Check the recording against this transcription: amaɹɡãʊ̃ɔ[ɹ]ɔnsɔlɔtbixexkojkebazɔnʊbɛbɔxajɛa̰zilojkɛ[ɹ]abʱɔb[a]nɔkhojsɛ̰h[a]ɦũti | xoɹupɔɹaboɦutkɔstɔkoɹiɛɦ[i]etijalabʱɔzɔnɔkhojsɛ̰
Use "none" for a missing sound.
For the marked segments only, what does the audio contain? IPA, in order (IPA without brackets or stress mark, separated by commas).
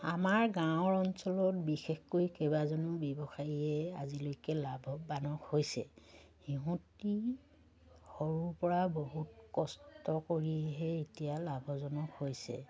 ɹ, l, a, i, ɛ